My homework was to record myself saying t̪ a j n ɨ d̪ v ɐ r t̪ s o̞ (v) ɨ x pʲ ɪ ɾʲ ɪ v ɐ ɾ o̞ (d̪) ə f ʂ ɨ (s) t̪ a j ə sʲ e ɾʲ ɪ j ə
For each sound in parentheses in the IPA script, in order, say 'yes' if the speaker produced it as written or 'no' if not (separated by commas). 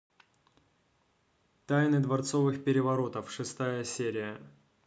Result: yes, no, yes